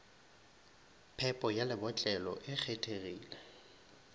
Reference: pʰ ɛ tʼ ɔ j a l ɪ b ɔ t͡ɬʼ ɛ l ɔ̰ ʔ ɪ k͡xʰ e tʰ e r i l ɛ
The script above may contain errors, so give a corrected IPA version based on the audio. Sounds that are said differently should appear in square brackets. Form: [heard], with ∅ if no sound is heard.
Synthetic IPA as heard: pʰ ɛ [pʼ] ɔ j a l ɪ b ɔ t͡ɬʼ ɛ l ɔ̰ ʔ ɪ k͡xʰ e tʰ e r [iː] l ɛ